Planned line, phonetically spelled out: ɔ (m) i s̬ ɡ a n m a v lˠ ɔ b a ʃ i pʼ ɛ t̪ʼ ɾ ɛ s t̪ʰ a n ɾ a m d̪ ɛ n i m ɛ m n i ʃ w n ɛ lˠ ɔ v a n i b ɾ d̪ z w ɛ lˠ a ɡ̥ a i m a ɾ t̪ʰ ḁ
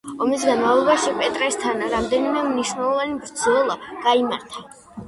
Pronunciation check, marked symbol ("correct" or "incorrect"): correct